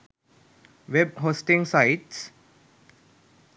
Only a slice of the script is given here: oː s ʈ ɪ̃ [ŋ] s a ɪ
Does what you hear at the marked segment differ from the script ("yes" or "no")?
no